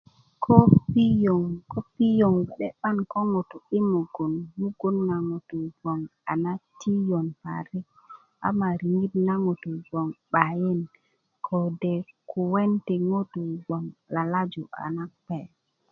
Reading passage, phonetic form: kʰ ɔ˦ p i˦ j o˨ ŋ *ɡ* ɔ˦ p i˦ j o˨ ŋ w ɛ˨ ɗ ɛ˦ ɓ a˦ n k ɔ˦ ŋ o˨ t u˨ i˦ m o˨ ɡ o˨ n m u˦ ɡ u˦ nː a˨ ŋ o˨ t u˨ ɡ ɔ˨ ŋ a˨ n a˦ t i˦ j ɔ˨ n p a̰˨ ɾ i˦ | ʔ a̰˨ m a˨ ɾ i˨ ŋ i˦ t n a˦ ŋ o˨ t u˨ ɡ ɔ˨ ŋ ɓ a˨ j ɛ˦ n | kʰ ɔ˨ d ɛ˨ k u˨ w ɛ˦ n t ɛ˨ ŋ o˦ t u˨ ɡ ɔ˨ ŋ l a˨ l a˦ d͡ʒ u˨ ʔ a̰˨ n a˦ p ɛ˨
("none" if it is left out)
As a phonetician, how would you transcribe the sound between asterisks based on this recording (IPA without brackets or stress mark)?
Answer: k